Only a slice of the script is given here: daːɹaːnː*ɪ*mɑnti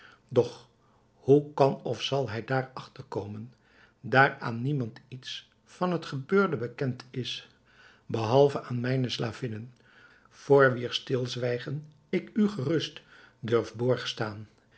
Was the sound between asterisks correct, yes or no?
no